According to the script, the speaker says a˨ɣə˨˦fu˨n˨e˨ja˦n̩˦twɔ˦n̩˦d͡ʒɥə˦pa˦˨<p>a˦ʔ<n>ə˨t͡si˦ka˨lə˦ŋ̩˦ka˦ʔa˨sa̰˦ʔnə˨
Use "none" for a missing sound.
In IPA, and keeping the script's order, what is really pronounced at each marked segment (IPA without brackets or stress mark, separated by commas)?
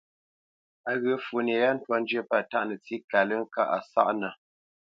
t, n